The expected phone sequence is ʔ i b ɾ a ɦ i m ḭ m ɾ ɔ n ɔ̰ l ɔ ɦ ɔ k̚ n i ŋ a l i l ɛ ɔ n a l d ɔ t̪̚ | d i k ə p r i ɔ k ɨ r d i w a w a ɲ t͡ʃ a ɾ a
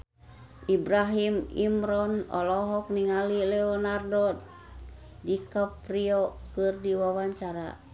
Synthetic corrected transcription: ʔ i b ɾ a ɦ i m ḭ m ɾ ɔ n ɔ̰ l ɔ ɦ ɔ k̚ n i ŋ a l i l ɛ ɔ n a r d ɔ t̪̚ | d i k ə p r i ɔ k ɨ r d i w a w a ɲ t͡ʃ a ɾ a